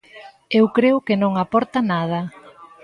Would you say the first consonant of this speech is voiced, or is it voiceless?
voiced